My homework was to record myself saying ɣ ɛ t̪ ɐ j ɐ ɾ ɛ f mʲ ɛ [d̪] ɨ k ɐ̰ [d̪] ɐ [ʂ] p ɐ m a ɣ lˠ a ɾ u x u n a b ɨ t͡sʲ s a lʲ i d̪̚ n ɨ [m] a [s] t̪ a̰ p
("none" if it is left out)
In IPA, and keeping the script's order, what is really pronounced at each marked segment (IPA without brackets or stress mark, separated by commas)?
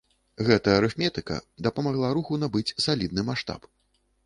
t̪, d̪, none, m, ʂ